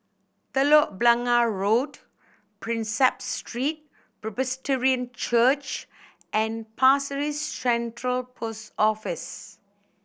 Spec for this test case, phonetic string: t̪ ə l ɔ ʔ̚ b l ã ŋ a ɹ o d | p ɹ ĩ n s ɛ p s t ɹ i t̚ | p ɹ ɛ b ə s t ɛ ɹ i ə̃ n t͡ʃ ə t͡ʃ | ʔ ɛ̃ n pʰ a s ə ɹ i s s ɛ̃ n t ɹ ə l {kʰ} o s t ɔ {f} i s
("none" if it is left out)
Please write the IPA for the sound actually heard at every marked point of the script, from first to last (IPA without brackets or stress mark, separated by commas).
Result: pʰ, f